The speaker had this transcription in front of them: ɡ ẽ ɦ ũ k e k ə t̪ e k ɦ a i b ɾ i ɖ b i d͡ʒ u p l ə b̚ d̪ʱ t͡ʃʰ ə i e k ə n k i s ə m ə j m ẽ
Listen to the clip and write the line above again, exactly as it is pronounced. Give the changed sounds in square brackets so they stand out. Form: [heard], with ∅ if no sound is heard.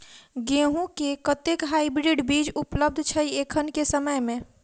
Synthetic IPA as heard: ɡ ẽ ɦ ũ k e k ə t̪ e k ɦ a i b ɾ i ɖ b i d͡ʒ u p l ə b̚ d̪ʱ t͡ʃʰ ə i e [kʰ] ə n k [e] s ə m ə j m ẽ